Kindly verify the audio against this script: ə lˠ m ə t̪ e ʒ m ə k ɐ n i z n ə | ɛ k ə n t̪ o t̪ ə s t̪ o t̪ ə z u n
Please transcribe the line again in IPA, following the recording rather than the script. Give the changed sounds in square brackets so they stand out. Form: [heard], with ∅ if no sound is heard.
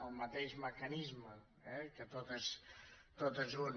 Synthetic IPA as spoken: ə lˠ m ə t̪ e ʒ m ə k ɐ n i z [m] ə | ɛ k ə [∅] t̪ o t̪ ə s t̪ o t̪ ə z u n